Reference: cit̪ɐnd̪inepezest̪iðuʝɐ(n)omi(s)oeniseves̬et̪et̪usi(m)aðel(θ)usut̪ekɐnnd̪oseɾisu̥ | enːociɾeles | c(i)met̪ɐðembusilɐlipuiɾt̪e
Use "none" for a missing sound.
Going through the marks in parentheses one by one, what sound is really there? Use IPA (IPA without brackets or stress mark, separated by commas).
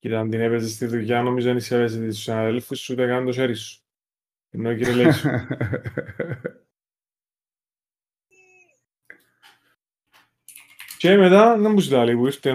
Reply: n, z, n, f, e